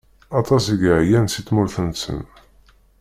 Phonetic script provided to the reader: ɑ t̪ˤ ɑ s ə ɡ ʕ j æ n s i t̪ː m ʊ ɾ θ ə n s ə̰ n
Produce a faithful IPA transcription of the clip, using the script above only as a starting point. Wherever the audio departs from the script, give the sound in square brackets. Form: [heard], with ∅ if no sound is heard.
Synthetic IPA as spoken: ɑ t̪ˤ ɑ s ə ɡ ʕ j æ n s i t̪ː m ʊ ɾ θ ə n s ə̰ n